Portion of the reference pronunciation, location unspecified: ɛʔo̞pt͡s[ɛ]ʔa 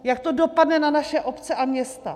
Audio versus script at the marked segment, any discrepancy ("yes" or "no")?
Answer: no